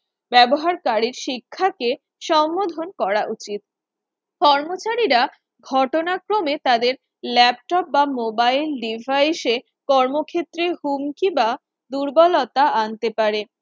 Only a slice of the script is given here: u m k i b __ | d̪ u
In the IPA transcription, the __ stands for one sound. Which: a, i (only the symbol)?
a